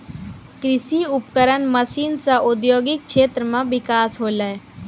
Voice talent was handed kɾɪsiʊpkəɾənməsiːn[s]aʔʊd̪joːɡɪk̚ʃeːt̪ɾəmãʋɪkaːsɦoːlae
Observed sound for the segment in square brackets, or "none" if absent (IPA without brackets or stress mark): s